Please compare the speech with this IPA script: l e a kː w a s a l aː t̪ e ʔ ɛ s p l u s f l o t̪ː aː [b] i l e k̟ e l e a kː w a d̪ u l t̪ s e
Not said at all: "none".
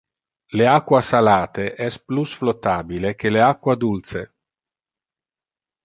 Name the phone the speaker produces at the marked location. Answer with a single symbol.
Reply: b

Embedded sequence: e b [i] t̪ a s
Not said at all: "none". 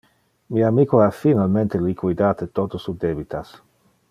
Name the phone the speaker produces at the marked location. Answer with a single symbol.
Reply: i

